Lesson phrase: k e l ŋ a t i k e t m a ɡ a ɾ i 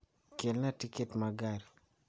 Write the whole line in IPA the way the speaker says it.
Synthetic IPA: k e l n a t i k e t m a ɡ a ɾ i